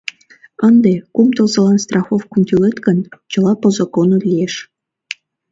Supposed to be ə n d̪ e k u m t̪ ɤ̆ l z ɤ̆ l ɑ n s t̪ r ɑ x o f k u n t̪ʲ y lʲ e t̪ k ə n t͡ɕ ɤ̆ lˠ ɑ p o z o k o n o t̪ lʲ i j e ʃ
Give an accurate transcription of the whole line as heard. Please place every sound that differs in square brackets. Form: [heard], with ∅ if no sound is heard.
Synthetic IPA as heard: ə n d̪ e k u m t̪ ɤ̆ l z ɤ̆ l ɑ n s t̪ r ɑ x o f k u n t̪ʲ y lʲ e t̪ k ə n t͡ɕ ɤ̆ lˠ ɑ p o z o k o n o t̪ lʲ i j e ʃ